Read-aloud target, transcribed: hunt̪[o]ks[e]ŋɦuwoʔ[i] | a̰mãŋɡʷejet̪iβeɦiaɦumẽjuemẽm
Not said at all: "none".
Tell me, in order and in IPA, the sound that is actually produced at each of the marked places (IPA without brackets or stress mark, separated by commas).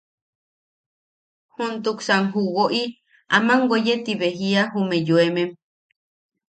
u, a, i